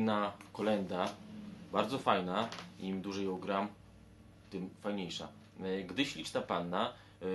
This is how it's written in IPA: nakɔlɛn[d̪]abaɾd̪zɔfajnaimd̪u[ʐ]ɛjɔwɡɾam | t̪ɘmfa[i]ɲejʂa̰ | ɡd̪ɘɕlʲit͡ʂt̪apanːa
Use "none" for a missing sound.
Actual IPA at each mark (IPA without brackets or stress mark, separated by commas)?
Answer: d̪, ʐ, j